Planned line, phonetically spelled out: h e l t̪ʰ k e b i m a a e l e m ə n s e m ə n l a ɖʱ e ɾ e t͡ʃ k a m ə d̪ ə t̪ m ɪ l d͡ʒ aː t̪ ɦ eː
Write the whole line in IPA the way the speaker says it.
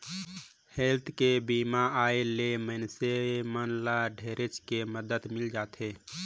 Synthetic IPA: h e l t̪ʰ k e b i m a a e l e m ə n s e m ə n l a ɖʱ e ɾ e t͡ʃ k e m ə d̪ ə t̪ m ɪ l d͡ʒ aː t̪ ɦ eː